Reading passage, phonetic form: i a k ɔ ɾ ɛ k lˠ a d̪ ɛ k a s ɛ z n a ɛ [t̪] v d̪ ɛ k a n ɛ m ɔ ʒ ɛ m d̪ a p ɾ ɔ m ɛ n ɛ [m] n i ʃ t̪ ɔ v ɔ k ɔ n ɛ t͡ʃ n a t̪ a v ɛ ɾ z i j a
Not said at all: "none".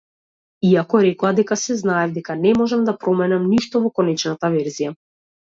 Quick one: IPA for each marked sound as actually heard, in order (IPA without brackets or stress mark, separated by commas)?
none, m